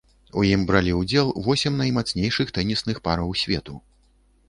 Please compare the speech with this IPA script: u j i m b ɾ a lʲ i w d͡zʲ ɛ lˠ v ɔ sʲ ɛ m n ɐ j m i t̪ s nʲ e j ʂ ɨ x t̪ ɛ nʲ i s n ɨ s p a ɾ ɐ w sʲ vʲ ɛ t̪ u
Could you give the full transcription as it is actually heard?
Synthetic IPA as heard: u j i m b ɾ a lʲ i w d͡zʲ ɛ lˠ v ɔ sʲ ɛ m n ɐ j m a t̪ s nʲ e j ʂ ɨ x t̪ ɛ nʲ i s n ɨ x p a ɾ ɐ w sʲ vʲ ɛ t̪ u

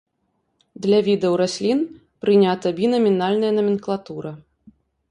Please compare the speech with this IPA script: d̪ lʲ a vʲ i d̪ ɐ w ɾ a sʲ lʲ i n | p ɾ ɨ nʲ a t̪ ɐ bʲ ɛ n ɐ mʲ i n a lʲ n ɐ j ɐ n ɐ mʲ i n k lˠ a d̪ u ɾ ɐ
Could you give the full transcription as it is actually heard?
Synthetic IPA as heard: d̪ lʲ a vʲ i d̪ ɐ w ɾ a sʲ lʲ i n | p ɾ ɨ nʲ a t̪ ɐ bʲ i n ɐ mʲ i n a lʲ n ɐ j ɐ n ɐ mʲ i n k lˠ a t̪ u ɾ ɐ

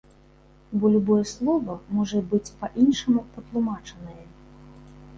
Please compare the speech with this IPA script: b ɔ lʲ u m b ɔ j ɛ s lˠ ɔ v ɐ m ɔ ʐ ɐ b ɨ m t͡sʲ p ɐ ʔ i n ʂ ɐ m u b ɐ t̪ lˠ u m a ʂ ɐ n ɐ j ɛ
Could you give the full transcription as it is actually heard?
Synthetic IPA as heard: b ɔ lʲ u b ɔ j ɛ s lˠ ɔ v ɐ m ɔ ʐ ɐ b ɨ t͡sʲ p ɐ ʔ i n ʂ ɐ m u p ɐ t̪ lˠ u m a t͡ʂ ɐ n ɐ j ɛ

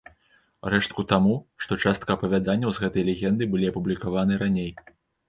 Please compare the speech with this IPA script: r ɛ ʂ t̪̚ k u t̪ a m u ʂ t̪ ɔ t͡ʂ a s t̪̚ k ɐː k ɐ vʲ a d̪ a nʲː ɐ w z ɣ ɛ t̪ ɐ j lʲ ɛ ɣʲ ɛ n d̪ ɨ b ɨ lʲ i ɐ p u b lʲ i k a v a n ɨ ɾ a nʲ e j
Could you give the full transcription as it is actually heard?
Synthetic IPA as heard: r ɛ ʂ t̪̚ k u t̪ a m u ʂ t̪ ɔ t͡ʂ a s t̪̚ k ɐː p ɐ vʲ a d̪ a nʲː ɐ w z ɣ ɛ t̪ ɐ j lʲ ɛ ɣʲ ɛ n d̪ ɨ b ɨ lʲ i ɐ p u b lʲ i k a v a n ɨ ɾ a nʲ e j

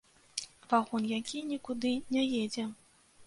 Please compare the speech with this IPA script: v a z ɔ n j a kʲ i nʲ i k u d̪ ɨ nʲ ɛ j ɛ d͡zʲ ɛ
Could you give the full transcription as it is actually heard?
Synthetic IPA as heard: v a ɣ ɔ n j a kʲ i nʲ i k u d̪ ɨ nʲ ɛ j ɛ d͡zʲ ɛ

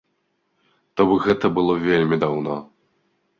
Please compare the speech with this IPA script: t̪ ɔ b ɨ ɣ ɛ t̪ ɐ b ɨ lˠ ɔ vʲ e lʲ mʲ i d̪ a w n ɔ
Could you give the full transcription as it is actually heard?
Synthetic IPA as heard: t̪ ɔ b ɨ ɣ ɛ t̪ ɐ b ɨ lˠ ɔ vʲ e lʲ mʲ i d̪ a w n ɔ

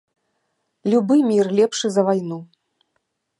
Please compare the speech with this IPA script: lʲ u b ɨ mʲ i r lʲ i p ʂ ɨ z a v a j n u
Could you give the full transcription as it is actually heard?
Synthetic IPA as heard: lʲ u b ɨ mʲ i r lʲ ɛ p ʂ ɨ z ɐ v a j n u

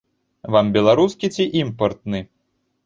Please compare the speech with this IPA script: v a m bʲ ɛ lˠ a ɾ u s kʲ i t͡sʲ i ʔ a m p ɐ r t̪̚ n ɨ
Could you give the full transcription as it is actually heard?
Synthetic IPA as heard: v a m bʲ ɛ lˠ a ɾ u s kʲ i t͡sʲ i ʔ i m p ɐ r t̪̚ n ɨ

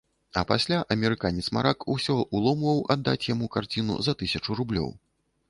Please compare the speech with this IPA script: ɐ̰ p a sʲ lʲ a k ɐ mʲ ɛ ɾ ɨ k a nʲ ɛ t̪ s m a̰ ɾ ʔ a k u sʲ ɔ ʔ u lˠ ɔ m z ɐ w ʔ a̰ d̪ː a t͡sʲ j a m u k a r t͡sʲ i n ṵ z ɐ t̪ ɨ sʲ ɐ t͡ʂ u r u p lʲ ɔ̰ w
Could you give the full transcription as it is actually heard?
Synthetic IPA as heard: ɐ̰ p a sʲ lʲ a ʔ ɐ mʲ ɛ ɾ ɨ k a nʲ ɛ t̪ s m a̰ ɾ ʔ a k u sʲ ɔ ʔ u lˠ ɔ m v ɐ w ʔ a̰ d̪ː a t͡sʲ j a m u k a r t͡sʲ i n ṵ z ɐ t̪ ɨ sʲ ɐ t͡ʂ u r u b lʲ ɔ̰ w

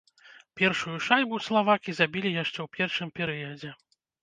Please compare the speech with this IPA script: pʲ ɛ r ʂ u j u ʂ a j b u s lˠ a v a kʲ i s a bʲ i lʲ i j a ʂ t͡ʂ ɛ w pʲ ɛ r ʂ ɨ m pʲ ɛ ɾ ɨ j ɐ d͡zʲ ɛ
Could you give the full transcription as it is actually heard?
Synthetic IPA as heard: pʲ ɛ r ʂ u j u ʂ a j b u s lˠ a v a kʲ i z a bʲ i lʲ i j a ʂ t͡ʂ ɛ w pʲ ɛ r ʂ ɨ m pʲ ɛ ɾ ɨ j ɐ d͡zʲ ɛ

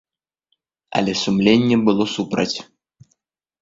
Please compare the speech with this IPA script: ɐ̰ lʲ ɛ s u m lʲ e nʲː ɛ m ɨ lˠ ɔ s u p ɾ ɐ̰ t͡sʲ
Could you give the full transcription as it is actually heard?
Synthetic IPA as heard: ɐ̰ lʲ ɛ s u m lʲ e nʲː ɛ b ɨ lˠ ɔ s u p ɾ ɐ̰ t͡sʲ

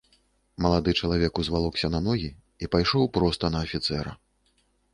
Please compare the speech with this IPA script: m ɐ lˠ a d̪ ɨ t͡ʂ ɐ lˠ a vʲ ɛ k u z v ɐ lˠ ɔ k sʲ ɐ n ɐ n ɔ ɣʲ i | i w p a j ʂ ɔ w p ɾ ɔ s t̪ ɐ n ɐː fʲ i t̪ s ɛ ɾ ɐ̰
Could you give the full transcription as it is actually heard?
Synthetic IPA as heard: m ɐ lˠ a d̪ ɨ t͡ʂ ɐ lˠ a vʲ ɛ k u z v a lˠ ɔ k sʲ ɐ n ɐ n ɔ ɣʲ i | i p a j ʂ ɔ w p ɾ ɔ s t̪ ɐ n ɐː fʲ i t̪ s ɛ ɾ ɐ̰

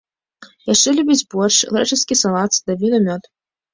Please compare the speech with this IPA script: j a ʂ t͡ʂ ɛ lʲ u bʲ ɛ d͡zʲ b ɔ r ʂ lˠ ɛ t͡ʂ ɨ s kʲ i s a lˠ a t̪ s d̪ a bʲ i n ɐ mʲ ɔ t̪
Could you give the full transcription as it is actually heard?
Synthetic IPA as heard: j a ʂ t͡ʂ ɛ lʲ u bʲ i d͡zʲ b ɔ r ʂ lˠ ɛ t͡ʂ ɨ s kʲ i s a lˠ a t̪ s d̪ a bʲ i n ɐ mʲ ɔ t̪

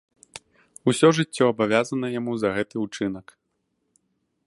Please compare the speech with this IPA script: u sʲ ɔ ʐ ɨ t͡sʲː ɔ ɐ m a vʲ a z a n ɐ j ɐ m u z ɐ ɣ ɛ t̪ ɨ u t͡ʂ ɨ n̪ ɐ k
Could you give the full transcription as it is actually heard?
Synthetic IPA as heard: u sʲ ɔ ʐ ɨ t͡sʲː ɔ ɐ b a vʲ a z ɐ n ɐ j a m u z ɐ ɣ ɛ t̪ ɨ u t͡ʂ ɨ n̪ ɐ k

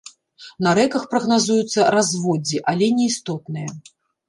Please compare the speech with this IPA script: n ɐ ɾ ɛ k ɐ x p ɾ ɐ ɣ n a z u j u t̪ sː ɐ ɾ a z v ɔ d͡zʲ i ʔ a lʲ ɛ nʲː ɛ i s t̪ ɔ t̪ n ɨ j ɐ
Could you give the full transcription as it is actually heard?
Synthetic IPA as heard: n ɐ ɾ ɛ k ɐ x p ɾ ɐ ɣ n a z u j u t̪ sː ɐ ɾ a z v ɔ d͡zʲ i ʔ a lʲ ɛ nʲ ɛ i s t̪ ɔ t̪ n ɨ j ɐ

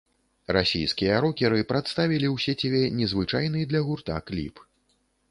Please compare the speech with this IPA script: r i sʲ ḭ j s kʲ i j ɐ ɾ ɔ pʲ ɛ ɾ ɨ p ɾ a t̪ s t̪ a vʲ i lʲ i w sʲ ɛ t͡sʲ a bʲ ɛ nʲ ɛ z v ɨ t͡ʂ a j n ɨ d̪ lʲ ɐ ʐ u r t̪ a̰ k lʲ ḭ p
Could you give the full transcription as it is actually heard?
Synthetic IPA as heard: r a sʲ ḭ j s kʲ i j ɐ ɾ ɔ kʲ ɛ ɾ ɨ p ɾ a t̪ s t̪ a vʲ i lʲ i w sʲ ɛ t͡sʲ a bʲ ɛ nʲ ɛ z v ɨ t͡ʂ a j n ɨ d̪ lʲ ɐ ɣ u r t̪ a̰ k lʲ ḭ p

